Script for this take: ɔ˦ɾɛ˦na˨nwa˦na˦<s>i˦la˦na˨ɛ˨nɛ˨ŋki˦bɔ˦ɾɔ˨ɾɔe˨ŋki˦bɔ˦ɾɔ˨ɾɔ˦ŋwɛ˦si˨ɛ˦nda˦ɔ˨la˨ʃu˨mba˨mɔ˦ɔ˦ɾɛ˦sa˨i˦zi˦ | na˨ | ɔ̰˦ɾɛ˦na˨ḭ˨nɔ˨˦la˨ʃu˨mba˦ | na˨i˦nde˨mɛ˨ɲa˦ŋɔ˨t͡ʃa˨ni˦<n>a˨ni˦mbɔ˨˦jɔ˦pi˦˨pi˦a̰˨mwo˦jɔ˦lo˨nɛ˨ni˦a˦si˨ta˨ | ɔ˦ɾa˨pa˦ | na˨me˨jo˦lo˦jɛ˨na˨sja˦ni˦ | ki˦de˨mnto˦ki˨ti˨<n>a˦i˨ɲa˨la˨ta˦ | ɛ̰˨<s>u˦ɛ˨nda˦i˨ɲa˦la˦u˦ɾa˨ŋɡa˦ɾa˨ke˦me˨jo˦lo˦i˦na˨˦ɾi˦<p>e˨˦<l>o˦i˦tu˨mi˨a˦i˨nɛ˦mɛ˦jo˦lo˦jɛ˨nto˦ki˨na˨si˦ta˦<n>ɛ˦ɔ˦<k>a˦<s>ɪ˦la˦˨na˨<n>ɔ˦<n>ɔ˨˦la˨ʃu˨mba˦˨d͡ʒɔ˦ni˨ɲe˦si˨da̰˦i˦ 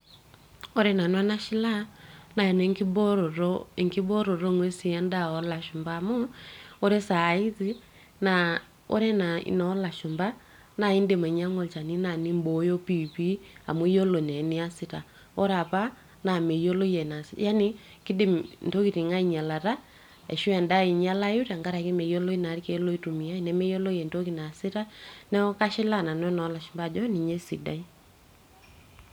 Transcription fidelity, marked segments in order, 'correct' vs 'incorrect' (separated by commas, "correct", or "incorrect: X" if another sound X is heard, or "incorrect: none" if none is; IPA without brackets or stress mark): incorrect: ʃ, correct, incorrect: ŋ, incorrect: ʃ, incorrect: k, correct, correct, correct, incorrect: ʃ, correct, correct